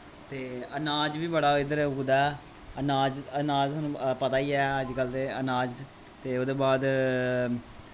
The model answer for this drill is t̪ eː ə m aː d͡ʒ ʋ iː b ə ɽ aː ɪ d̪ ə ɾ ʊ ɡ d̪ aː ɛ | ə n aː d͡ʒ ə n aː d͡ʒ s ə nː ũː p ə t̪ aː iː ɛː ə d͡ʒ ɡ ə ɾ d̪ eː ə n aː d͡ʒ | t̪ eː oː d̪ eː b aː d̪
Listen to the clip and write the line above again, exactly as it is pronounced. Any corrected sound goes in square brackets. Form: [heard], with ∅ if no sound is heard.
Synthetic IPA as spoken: t̪ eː ə [n] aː d͡ʒ ʋ iː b ə ɽ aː ɪ d̪ ə ɾ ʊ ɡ d̪ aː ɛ | ə n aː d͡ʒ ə n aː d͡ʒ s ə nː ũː p ə t̪ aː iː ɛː ə d͡ʒ ɡ ə [l] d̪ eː ə n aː d͡ʒ | t̪ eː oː d̪ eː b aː d̪

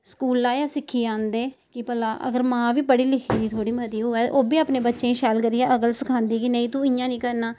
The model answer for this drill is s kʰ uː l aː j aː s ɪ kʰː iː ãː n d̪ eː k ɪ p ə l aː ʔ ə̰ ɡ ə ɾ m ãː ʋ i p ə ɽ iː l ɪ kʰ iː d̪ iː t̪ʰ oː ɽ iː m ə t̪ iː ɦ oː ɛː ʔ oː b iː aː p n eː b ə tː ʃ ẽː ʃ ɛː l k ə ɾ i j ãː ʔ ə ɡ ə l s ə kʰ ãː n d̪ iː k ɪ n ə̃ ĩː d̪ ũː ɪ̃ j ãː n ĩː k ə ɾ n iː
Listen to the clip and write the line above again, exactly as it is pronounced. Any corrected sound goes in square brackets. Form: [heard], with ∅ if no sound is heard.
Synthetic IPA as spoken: s [k] uː l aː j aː s ɪ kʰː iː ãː n d̪ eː k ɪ p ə l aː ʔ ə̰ ɡ ə ɾ m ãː ʋ [iː] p ə ɽ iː l ɪ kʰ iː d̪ iː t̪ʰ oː ɽ iː m ə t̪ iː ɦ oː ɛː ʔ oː b iː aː p n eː b ə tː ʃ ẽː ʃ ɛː l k ə ɾ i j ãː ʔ ə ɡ ə l s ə kʰ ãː n d̪ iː k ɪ n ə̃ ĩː [t̪] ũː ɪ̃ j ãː n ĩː k ə ɾ n [aː]

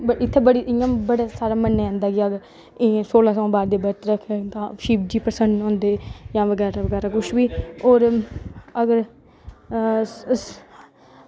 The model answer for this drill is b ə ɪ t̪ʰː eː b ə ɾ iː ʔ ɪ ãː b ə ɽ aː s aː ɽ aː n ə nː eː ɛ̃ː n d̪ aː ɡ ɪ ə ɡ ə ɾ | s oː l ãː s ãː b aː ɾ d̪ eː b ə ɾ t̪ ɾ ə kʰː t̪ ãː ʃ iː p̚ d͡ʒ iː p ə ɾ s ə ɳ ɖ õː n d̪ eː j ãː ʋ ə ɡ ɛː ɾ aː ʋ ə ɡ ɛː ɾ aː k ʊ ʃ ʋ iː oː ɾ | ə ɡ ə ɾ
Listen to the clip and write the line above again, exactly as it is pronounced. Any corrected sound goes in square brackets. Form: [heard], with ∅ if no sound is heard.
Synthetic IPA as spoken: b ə ɪ t̪ʰː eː b ə [ɽ] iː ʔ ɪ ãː b ə ɽ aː s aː [ɾ] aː [m] ə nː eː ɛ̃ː n d̪ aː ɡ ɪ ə ɡ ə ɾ | s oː l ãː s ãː b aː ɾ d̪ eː b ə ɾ t̪ ɾ ə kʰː t̪ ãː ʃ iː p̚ d͡ʒ iː p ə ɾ s ə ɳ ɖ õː n d̪ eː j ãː ʋ ə ɡ ɛː ɾ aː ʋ ə ɡ ɛː ɾ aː k ʊ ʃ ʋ iː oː ɾ | ə ɡ ə ɾ

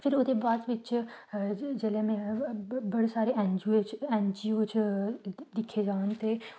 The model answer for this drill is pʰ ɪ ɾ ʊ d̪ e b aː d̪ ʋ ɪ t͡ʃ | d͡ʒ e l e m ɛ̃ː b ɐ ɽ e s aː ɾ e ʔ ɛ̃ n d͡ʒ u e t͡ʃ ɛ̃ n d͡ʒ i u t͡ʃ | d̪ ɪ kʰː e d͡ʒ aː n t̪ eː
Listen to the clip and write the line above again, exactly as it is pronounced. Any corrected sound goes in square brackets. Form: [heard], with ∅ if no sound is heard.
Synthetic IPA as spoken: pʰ ɪ ɾ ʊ d̪ e b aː d̪ ʋ ɪ t͡ʃ | d͡ʒ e l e m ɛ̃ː b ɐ ɽ e s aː ɾ e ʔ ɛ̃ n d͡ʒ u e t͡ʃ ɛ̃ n d͡ʒ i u t͡ʃ | d̪ ɪ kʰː e d͡ʒ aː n t̪ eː

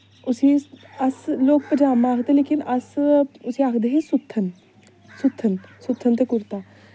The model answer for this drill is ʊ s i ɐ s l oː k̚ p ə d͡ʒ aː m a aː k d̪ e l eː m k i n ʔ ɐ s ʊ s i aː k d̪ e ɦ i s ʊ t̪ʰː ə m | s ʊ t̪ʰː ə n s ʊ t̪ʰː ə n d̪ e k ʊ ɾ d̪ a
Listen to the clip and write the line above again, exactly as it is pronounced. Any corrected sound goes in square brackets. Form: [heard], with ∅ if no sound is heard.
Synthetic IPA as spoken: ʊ s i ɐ s l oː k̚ p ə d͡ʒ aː m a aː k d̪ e l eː [∅] k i n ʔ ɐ s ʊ s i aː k d̪ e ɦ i s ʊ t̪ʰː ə [n] | s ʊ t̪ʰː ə n s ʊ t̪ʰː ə n [t̪] e k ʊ ɾ [t̪] a

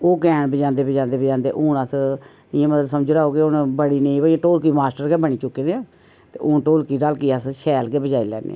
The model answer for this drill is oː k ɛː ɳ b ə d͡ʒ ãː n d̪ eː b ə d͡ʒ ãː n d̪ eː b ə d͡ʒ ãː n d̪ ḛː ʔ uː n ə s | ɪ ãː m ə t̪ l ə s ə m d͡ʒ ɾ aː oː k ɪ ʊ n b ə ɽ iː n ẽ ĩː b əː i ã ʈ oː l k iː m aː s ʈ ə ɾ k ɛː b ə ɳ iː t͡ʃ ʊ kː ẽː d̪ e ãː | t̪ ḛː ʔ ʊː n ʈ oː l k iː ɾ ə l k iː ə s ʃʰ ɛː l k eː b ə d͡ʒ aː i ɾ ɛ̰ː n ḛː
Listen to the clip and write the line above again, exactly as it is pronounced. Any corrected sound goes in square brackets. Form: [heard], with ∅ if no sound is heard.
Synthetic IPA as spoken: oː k ɛː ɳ b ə d͡ʒ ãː n d̪ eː b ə d͡ʒ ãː n d̪ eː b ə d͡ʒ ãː n d̪ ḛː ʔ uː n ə s | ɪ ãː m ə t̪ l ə s ə m d͡ʒ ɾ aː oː k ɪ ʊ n b ə ɽ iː n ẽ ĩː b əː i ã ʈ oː l k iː m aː s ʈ ə ɾ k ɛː b ə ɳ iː t͡ʃ ʊ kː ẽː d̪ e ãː | t̪ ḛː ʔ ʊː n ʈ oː l k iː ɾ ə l k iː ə s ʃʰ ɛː l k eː b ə d͡ʒ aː i [l] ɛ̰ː n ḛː

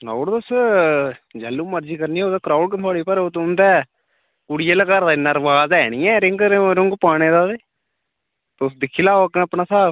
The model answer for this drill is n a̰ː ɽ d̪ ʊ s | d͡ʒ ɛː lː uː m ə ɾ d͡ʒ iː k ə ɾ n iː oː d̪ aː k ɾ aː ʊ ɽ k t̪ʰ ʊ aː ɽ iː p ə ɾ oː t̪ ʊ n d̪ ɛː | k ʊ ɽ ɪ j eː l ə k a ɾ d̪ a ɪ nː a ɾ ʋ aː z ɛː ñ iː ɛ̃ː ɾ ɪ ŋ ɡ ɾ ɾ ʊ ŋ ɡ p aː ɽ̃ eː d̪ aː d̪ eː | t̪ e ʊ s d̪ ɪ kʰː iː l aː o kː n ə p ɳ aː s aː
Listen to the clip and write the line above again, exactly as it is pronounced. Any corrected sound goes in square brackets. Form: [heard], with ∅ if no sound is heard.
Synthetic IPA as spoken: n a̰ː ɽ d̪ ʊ s | d͡ʒ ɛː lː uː m ə ɾ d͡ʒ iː k ə ɾ n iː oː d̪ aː k ɾ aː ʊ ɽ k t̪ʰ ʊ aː ɽ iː p ə ɾ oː t̪ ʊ n d̪ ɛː | k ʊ ɽ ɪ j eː l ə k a ɾ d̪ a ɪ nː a ɾ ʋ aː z ɛː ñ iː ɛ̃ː ɾ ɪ ŋ ɡ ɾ ɾ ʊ ŋ ɡ p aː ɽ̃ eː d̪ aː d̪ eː | t̪ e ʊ s d̪ ɪ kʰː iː l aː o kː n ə p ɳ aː s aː

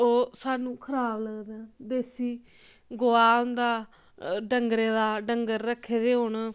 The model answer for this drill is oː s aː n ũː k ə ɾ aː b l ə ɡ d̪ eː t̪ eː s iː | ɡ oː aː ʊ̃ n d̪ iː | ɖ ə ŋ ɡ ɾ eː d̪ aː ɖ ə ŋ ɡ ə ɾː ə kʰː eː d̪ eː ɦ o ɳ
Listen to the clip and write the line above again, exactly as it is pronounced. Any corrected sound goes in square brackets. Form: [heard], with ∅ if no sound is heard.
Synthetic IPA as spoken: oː s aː n ũː [kʰ] ə ɾ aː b l ə ɡ d̪ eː [d̪] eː s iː | ɡ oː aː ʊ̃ n d̪ [aː] | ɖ ə ŋ ɡ ɾ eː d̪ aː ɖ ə ŋ ɡ ə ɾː ə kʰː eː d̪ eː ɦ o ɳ

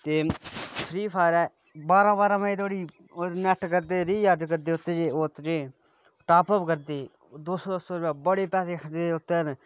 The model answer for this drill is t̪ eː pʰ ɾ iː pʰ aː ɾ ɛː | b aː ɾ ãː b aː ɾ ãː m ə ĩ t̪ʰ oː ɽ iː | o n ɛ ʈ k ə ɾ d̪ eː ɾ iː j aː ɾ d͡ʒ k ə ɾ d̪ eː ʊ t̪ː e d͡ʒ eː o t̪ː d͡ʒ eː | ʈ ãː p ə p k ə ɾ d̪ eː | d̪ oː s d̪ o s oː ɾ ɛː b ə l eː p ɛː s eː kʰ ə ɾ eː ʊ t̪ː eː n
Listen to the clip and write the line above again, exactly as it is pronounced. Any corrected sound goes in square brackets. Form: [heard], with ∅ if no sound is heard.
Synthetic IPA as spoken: t̪ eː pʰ ɾ iː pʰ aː ɾ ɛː | b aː ɾ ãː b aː ɾ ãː m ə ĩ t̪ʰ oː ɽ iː | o n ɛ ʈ k ə ɾ d̪ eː ɾ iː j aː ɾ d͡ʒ k ə ɾ d̪ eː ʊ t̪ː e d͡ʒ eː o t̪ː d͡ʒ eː | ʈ [aː] p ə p k ə ɾ d̪ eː | d̪ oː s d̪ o s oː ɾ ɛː b ə [ɽ] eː p ɛː s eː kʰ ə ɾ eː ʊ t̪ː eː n

